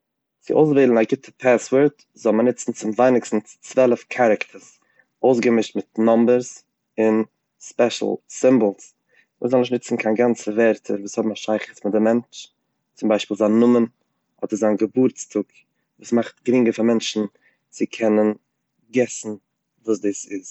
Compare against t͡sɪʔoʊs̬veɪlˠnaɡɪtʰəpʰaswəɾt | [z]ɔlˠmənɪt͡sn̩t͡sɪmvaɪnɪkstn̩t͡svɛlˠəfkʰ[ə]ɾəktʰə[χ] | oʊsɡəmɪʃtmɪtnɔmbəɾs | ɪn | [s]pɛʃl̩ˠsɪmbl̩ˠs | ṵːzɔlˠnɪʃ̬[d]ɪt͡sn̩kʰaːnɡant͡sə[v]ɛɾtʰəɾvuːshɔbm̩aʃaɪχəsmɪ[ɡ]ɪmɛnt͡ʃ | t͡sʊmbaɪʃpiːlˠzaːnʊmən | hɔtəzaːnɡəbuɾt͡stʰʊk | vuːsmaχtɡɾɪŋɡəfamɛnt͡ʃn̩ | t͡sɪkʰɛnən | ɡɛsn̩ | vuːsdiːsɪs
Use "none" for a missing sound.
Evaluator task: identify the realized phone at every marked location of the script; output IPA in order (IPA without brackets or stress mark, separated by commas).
z, a, s, s, n, v, d